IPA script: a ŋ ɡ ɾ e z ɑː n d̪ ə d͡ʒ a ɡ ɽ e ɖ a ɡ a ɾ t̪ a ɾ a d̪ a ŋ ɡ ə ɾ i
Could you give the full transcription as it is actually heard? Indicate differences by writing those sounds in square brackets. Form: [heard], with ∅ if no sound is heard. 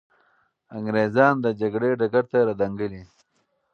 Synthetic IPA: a ŋ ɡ ɾ e z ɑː n d̪ ə d͡ʒ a ɡ ɽ e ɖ a ɡ a ɾ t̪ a ɾ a d̪ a ŋ ɡ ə [l] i